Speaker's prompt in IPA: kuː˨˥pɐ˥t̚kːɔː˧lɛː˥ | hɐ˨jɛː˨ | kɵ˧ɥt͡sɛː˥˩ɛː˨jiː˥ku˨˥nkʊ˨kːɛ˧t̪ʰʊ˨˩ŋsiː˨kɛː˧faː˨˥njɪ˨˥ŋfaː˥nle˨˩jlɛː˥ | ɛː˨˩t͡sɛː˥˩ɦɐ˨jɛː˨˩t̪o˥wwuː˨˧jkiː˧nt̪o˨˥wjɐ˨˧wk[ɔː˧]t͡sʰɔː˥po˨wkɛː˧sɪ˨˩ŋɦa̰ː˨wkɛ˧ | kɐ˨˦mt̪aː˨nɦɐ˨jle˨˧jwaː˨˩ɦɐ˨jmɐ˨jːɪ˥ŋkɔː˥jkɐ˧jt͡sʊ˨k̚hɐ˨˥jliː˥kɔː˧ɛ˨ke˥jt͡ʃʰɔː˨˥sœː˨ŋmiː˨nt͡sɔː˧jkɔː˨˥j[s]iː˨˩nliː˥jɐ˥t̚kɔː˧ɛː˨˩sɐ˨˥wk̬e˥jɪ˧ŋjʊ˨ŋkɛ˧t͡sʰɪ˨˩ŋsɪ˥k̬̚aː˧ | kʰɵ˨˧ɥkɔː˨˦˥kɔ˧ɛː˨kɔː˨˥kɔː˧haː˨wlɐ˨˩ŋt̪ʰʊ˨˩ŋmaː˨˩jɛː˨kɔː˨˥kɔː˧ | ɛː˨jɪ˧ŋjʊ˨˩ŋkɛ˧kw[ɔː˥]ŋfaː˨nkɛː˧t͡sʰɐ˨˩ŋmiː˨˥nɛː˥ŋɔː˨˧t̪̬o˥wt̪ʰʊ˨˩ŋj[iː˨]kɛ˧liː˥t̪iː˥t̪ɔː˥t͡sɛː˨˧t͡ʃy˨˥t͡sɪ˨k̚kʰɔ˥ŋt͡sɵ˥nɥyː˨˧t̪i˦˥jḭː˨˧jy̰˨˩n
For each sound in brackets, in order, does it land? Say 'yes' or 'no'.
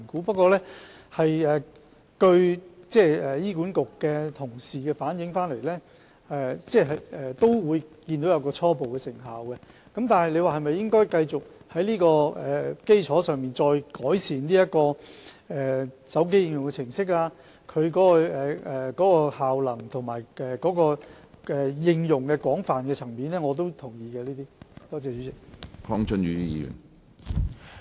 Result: yes, yes, no, yes

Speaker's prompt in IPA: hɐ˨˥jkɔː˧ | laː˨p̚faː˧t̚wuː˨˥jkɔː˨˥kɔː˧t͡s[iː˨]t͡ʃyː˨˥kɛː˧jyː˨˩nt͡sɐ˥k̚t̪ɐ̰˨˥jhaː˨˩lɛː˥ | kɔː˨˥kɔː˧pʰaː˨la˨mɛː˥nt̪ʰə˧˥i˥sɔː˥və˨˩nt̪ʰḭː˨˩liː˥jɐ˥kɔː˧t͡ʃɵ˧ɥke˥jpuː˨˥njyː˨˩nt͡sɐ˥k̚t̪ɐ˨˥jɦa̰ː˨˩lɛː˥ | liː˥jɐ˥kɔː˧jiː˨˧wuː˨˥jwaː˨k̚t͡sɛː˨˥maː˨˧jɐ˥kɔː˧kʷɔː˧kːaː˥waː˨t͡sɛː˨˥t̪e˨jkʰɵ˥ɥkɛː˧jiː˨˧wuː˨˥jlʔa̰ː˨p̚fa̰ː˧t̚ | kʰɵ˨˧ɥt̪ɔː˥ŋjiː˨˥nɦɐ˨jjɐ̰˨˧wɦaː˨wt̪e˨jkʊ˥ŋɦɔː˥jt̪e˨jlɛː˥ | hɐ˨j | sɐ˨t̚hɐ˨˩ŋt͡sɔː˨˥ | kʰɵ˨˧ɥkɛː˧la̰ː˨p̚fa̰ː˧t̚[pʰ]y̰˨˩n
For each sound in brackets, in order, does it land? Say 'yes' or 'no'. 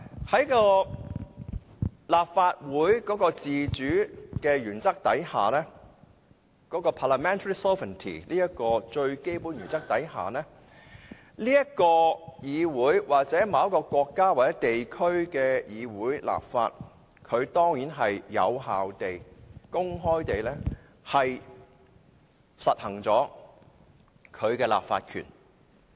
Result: yes, no

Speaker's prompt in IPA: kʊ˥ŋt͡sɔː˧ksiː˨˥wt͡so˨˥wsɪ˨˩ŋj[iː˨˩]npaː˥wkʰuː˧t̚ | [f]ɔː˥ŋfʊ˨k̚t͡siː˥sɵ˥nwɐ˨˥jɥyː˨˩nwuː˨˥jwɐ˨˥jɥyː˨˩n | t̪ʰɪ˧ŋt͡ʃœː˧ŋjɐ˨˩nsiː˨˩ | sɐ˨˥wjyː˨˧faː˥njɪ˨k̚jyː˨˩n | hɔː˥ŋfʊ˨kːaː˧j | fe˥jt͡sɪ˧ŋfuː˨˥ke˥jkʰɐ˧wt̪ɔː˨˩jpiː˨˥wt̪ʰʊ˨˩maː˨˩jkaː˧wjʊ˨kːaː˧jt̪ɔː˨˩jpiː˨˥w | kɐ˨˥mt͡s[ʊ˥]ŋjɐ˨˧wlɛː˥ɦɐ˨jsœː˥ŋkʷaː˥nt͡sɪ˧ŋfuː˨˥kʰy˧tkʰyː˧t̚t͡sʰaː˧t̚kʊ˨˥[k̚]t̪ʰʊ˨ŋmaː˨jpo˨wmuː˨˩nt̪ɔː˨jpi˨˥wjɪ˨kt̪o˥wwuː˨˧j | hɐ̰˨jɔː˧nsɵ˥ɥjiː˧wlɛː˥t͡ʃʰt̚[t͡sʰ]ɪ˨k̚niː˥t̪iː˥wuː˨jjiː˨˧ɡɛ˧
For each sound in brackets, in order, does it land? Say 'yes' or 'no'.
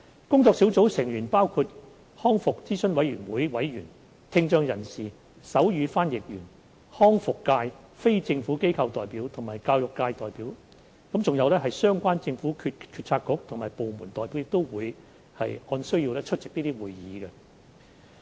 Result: no, no, no, yes, no

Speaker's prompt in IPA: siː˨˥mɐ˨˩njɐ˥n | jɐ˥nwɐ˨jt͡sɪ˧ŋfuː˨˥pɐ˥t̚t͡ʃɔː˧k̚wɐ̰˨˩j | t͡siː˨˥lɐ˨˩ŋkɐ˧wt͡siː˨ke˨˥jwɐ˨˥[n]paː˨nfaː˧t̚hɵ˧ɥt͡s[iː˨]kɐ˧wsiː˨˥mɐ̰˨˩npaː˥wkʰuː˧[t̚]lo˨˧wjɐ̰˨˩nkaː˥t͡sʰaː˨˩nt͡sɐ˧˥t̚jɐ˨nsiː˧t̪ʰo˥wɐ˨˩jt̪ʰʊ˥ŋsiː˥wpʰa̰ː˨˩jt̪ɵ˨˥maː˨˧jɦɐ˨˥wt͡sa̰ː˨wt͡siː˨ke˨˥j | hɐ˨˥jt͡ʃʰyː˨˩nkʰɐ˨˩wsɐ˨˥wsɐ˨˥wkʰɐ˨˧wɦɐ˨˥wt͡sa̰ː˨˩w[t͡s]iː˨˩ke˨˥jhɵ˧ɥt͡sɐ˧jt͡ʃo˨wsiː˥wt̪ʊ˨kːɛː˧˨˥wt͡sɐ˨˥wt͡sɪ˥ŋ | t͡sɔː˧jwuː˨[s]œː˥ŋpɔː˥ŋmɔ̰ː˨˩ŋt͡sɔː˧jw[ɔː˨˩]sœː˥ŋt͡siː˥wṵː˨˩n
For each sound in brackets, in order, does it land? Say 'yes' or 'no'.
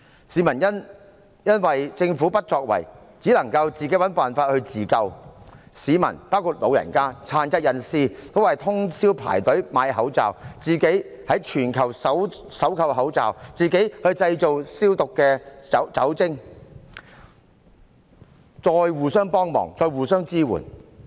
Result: yes, yes, yes, yes, yes, no

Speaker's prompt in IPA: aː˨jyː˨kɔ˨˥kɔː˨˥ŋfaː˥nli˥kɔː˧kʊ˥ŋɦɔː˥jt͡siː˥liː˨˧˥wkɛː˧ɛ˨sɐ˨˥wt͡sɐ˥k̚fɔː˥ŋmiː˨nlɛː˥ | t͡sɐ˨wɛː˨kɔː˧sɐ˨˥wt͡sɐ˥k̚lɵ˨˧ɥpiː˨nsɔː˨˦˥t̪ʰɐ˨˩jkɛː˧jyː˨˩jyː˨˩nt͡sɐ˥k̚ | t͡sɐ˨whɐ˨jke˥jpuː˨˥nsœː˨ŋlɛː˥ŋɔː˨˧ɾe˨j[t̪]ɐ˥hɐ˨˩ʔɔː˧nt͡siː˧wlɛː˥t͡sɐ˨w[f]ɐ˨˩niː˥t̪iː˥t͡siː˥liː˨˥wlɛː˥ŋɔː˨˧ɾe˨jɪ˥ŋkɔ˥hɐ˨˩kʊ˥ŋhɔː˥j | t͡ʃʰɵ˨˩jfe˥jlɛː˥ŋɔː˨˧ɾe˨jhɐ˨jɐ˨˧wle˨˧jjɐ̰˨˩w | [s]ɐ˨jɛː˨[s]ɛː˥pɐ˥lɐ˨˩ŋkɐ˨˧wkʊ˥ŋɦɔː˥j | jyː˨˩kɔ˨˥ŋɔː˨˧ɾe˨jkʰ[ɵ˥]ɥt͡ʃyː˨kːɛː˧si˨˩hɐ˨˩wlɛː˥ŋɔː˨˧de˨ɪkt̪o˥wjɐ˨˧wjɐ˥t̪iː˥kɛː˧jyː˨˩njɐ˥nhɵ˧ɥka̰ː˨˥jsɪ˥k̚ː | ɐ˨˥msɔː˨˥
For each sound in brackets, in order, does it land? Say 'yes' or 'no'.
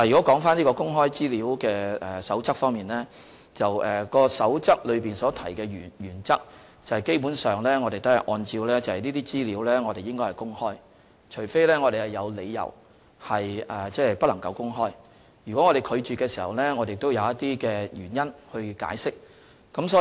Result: yes, no, no, no, no

